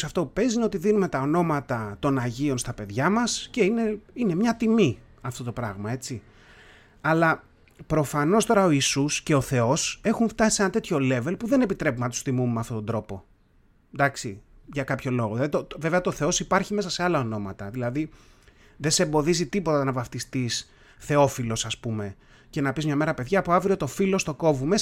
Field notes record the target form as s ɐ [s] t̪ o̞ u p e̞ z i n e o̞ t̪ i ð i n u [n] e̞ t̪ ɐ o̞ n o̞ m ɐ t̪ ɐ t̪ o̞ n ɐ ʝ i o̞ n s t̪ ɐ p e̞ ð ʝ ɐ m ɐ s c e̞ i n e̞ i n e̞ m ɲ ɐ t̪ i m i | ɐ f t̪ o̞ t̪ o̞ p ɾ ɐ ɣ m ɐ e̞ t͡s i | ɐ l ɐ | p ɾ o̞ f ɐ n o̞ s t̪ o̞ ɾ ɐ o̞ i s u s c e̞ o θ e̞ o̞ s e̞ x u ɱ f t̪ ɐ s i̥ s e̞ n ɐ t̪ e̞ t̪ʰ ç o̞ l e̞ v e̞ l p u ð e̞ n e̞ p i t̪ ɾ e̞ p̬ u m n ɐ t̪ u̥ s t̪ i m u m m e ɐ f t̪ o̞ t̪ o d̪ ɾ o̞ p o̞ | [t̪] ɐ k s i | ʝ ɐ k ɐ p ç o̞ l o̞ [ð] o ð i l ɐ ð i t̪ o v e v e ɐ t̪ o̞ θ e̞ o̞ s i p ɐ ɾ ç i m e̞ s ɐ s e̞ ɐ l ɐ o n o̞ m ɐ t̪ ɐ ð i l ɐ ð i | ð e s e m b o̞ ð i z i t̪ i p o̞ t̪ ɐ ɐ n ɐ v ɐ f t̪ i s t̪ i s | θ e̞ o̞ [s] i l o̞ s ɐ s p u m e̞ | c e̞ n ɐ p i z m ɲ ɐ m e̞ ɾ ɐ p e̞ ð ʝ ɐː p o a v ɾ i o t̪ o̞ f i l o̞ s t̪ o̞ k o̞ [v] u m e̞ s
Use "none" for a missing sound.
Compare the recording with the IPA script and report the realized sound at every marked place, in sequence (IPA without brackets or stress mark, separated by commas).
f, m, d̪, ɣ, f, v